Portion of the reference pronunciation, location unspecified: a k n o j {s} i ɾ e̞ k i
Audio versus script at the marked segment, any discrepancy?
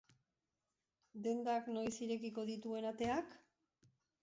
no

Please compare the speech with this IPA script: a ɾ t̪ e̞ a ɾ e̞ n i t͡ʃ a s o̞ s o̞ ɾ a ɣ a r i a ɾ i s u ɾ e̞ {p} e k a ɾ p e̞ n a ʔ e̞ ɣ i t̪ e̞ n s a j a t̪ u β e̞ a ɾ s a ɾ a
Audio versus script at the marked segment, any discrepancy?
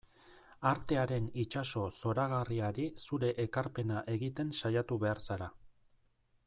yes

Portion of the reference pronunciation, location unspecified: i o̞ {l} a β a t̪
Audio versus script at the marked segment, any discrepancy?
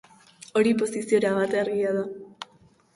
yes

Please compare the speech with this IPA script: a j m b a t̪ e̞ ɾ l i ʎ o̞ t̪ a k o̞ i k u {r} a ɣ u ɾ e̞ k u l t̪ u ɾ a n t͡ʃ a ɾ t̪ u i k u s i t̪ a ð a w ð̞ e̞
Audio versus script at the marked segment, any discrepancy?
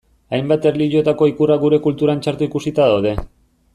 no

